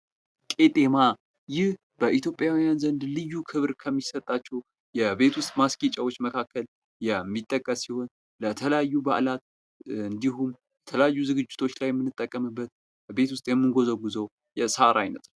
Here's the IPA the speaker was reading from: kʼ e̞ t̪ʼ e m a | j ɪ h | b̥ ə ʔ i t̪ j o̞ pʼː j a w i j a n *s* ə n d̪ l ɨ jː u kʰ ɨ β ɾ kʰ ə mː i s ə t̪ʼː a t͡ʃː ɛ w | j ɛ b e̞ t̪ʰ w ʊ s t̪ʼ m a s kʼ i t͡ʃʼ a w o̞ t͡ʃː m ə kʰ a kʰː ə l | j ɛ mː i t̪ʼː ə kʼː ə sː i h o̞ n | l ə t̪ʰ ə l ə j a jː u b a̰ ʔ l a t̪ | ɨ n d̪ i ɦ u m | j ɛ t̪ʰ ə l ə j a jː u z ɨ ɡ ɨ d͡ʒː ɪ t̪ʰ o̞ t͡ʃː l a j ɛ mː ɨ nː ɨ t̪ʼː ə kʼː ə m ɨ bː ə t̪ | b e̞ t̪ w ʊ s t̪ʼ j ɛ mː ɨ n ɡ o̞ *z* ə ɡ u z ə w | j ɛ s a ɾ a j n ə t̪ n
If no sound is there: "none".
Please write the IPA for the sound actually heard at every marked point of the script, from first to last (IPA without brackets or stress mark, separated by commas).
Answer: z, z